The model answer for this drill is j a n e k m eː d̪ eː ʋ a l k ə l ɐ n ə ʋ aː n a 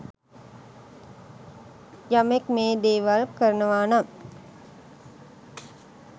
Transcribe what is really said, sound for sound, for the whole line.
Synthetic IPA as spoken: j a m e k m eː d̪ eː ʋ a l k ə ɾ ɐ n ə ʋ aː n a